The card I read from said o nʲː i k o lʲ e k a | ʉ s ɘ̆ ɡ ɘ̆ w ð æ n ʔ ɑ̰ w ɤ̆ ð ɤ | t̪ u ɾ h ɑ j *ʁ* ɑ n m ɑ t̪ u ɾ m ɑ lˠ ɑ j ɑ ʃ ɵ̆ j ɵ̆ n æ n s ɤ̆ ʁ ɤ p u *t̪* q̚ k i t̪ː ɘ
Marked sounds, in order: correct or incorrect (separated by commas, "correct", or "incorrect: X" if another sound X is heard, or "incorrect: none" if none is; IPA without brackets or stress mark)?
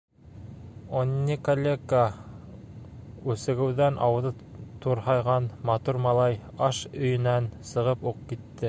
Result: correct, incorrect: none